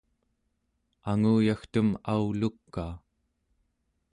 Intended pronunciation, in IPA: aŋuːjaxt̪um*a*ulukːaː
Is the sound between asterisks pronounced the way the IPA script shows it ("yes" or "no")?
yes